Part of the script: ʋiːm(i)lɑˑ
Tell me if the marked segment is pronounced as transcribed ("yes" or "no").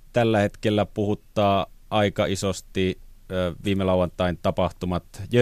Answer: no